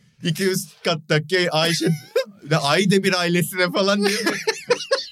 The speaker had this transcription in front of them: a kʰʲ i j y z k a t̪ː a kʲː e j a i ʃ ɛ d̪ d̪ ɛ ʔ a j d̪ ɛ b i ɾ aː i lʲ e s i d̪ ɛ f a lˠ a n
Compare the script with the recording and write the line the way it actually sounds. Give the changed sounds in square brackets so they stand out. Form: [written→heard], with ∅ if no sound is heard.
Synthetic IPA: [a→i] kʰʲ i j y z k a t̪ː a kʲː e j a [i→j] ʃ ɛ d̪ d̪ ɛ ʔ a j d̪ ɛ b i ɾ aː i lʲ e s i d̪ ɛ f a lˠ a n